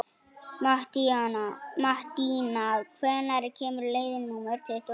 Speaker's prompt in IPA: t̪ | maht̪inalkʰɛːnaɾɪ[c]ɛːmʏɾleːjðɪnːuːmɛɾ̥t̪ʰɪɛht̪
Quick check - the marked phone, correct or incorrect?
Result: incorrect